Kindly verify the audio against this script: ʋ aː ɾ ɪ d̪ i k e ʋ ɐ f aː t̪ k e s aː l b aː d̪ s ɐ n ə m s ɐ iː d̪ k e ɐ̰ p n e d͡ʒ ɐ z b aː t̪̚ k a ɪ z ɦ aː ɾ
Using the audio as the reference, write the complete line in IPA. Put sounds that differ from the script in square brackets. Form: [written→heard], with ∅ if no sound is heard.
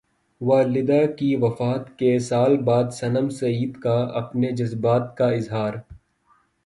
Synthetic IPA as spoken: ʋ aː [ɾ→l] ɪ d̪ [i→a] k [e→i] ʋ ɐ f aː t̪ k e s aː l b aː d̪ s ɐ n ə m s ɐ iː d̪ k [e→a] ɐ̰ p n e d͡ʒ ɐ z b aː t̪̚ k a ɪ z ɦ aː ɾ